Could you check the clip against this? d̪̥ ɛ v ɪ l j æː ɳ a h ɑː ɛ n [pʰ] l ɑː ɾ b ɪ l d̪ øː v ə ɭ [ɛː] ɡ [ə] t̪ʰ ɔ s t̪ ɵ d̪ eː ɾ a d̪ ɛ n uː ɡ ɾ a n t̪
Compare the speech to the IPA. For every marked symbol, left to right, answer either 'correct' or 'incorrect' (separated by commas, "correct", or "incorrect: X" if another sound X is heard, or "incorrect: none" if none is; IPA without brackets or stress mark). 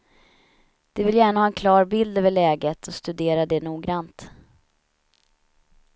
incorrect: kʰ, correct, correct